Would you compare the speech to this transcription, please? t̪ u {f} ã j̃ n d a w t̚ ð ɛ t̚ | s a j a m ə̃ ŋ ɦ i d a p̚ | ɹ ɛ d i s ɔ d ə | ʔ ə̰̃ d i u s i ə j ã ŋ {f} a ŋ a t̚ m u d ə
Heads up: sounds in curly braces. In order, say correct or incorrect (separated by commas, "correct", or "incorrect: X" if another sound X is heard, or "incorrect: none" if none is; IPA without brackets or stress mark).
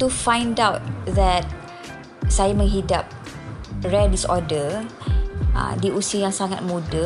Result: correct, incorrect: s